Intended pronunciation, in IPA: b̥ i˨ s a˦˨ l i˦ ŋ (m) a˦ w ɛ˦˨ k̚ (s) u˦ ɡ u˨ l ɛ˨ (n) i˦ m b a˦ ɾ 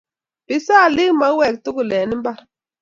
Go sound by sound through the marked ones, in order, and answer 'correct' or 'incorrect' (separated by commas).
correct, incorrect, correct